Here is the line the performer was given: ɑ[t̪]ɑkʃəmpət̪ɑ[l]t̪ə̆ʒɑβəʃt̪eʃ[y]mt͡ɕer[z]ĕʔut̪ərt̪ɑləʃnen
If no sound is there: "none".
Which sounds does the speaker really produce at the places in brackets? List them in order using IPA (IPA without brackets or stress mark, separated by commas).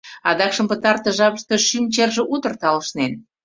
d̪, r, y, ʒ